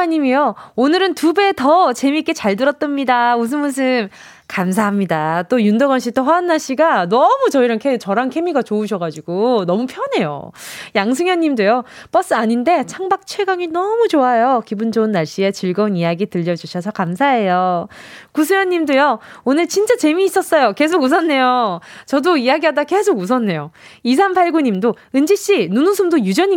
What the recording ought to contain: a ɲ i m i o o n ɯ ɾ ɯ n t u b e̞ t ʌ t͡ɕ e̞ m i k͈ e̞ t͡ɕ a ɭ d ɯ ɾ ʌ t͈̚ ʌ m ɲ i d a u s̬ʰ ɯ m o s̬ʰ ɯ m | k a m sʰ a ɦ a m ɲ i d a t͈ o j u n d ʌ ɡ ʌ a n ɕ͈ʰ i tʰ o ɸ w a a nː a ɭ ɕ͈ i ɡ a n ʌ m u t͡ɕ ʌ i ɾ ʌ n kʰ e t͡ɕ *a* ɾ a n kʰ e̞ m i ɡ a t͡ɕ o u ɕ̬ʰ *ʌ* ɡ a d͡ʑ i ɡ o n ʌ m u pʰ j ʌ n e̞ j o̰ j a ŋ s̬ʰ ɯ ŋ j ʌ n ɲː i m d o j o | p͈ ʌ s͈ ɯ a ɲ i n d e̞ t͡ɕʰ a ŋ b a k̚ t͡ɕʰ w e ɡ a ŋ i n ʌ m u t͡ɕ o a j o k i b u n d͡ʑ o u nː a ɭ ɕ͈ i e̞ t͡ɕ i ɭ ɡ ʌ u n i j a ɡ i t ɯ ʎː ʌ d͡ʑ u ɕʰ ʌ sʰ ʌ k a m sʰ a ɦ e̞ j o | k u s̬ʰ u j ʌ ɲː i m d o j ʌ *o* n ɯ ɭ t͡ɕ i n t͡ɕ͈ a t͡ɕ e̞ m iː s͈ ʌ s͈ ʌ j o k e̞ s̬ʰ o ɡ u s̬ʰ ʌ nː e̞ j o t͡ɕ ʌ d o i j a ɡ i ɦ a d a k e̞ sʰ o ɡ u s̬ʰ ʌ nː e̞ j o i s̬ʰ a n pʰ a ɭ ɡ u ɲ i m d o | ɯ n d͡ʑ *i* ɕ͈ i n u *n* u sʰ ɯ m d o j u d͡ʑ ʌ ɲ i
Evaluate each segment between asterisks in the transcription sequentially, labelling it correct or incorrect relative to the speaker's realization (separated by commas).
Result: incorrect, correct, correct, correct, correct